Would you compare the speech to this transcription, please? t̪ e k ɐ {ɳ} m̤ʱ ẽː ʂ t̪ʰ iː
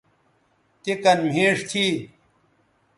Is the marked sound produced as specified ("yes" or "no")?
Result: no